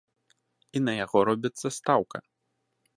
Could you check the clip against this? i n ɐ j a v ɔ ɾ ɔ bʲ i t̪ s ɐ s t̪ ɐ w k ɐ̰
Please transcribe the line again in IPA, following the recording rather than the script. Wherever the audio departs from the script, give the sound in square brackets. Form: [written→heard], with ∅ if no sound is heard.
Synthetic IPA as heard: i n ɐ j a [v→ɣ] ɔ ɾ ɔ bʲ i t̪ [s→sː] ɐ s t̪ [ɐ→a] w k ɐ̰